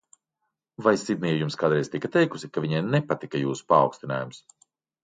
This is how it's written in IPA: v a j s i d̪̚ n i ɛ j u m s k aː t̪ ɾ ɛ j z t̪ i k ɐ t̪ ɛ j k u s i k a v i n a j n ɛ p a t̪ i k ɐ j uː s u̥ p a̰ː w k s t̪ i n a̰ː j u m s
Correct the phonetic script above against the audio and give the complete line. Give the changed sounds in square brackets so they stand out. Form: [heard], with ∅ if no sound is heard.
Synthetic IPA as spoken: v a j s i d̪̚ n i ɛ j u m s k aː [d̪] ɾ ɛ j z t̪ i k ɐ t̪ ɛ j k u s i k a v i [ɲ] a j n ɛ p a t̪ i k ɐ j uː s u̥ p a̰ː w k s t̪ i n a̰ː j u m s

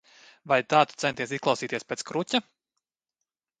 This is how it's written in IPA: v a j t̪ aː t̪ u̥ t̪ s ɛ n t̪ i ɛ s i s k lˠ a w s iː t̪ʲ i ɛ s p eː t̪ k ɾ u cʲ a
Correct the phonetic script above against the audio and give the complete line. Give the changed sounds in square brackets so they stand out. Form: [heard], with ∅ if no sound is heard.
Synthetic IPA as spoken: v a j t̪ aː t̪ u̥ t̪ s ɛ n t̪ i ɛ s i s k lˠ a w s iː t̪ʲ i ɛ s p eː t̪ k ɾ u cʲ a

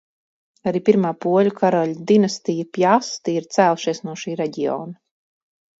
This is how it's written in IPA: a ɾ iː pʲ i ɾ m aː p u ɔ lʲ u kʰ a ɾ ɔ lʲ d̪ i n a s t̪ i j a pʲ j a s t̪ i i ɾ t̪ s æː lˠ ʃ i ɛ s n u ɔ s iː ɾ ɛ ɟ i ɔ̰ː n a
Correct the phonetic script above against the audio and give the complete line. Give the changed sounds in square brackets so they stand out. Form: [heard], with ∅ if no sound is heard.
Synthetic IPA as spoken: a ɾ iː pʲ i ɾ m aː p u ɔ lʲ u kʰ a ɾ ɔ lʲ d̪ i n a s t̪ i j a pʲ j a s t̪ i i ɾ t̪ s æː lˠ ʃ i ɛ s n u ɔ [ʃ] iː ɾ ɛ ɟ i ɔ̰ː n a

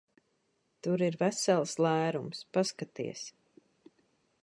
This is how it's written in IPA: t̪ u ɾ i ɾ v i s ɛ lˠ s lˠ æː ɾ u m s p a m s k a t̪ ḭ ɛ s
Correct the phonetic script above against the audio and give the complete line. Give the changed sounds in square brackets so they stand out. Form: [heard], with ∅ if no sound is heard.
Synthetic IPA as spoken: t̪ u ɾ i ɾ v [æ] s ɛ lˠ s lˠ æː ɾ u m s p a [∅] s k a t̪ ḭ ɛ s

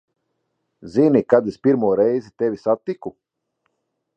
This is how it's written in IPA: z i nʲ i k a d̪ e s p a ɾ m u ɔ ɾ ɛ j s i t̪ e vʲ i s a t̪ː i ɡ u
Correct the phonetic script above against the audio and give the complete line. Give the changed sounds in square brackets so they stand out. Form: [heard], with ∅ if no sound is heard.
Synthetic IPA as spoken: z i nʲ i k a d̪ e s p [i] ɾ m u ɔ ɾ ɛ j [z] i t̪ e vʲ i s a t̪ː i [k] u

